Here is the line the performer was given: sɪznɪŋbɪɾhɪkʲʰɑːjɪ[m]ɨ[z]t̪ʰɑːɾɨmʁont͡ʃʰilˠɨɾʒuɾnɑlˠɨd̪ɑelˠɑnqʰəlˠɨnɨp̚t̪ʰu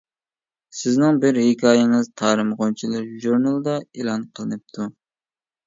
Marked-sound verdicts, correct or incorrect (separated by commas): incorrect, correct